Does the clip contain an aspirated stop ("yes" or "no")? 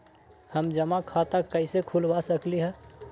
yes